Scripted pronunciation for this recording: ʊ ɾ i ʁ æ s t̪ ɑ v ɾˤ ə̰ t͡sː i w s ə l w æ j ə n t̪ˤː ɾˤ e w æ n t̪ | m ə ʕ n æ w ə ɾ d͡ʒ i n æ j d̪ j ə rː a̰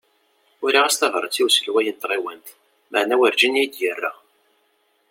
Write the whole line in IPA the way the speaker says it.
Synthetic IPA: ʊ ɾ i ʁ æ s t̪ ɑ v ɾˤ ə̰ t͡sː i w s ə l w æ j ə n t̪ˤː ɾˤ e w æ n t̪ | m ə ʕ n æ w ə ɾ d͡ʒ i n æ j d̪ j ə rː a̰